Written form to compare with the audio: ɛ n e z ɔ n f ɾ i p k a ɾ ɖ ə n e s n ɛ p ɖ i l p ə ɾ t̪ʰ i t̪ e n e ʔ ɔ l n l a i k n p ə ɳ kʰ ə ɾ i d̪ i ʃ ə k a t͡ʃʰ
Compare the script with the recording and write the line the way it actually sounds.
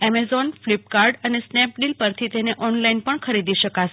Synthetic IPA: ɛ m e z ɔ n f l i p k a ɾ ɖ ə n e s n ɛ p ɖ i l p ə ɾ t̪ʰ i t̪ e n e ʔ ɔ n l a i n p ə ɳ kʰ ə ɾ i d̪ i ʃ ə k a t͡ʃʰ